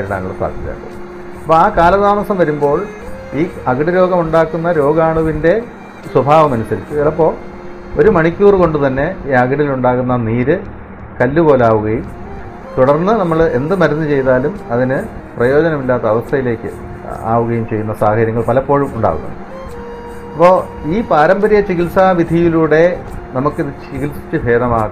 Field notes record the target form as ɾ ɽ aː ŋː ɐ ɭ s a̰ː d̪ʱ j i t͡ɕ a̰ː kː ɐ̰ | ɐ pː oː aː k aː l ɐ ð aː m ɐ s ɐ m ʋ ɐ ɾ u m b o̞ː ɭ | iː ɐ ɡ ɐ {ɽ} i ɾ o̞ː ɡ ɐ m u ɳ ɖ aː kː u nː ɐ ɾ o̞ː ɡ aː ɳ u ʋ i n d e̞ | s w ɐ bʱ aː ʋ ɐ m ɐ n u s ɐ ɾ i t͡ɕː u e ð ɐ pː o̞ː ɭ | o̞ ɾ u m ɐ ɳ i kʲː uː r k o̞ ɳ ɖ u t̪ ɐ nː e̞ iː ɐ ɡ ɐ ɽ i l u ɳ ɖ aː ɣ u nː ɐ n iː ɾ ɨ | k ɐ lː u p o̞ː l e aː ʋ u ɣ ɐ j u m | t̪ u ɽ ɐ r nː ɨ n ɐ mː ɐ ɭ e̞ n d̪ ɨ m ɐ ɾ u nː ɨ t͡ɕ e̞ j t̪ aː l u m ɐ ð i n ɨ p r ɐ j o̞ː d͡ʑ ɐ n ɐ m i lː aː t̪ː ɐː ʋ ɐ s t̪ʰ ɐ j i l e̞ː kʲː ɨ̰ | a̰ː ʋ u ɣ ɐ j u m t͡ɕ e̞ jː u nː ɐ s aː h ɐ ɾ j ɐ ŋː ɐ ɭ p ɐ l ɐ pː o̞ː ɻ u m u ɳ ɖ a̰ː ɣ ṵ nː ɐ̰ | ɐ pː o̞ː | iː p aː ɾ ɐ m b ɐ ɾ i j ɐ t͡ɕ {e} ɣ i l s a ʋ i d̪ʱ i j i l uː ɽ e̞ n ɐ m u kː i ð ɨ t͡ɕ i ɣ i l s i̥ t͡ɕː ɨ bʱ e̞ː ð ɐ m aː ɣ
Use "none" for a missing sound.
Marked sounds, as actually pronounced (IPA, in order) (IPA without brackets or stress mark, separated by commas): ɽ, i